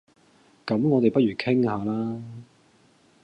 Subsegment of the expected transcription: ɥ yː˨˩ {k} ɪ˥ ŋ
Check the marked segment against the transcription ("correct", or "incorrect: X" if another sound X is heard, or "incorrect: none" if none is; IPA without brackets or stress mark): incorrect: kʰ